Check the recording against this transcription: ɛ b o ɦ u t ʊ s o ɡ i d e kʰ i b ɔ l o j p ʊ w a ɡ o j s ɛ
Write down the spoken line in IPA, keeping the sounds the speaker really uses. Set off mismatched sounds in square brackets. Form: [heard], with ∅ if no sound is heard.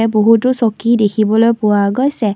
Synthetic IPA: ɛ b o ɦ u t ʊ s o [k] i d e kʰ i b ɔ l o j p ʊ w a ɡ o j s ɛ